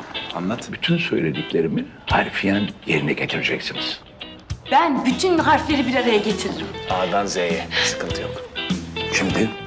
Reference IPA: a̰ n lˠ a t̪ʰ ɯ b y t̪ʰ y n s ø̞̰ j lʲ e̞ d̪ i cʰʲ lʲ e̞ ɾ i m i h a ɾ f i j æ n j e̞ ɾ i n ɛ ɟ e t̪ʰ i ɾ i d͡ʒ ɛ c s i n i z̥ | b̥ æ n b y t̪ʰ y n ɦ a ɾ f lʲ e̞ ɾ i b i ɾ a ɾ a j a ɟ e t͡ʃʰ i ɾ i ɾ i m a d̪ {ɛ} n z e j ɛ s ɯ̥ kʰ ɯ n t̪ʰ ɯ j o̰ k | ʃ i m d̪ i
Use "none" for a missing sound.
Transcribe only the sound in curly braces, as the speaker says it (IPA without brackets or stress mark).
a